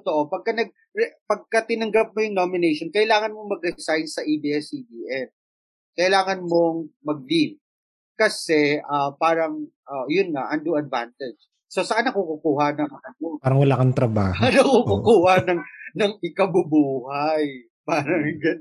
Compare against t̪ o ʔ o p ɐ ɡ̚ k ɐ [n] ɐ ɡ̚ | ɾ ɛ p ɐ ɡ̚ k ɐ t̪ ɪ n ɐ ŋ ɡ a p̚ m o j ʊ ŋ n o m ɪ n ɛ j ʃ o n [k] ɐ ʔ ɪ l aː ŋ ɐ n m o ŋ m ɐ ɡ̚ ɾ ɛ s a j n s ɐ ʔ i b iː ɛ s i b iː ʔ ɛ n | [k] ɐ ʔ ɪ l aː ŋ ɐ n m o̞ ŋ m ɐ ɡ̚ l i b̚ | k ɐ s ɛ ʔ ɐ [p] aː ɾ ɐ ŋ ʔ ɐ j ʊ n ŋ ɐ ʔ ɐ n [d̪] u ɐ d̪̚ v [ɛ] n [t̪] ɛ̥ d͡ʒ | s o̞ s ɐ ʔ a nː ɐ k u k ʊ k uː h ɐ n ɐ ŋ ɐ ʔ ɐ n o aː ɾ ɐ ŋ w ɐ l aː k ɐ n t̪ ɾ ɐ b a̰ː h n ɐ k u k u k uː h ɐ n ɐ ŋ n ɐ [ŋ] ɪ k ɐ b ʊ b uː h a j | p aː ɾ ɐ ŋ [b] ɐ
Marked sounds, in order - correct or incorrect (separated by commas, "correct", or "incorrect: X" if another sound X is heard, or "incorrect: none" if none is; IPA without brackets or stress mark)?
correct, correct, correct, correct, correct, incorrect: a, correct, correct, incorrect: ɡ